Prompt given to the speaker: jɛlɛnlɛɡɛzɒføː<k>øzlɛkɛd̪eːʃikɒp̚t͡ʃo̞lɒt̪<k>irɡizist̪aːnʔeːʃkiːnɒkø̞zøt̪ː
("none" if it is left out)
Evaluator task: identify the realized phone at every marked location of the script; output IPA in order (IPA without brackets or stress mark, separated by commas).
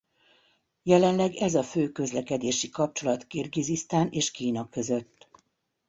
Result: k, k